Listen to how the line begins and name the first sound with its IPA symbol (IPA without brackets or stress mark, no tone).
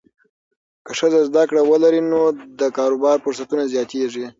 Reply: k